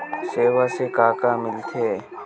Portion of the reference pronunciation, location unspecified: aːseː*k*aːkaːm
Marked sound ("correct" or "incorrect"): correct